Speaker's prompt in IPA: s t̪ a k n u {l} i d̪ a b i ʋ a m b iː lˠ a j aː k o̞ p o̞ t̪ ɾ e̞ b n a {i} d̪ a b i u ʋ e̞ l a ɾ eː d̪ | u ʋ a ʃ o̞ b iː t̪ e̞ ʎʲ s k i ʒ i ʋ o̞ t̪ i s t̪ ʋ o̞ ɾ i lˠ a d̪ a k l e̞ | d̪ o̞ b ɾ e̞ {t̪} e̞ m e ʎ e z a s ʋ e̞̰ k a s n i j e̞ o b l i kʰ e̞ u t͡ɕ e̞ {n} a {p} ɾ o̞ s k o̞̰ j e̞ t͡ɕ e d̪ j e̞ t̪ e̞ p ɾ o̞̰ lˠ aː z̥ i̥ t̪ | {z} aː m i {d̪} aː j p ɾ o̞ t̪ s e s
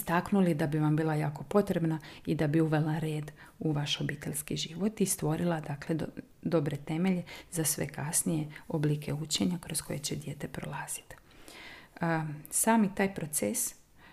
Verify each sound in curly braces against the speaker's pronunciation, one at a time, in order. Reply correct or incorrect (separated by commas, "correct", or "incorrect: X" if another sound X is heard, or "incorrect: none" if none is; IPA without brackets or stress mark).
correct, correct, correct, incorrect: ɲ, incorrect: k, incorrect: s, incorrect: t̪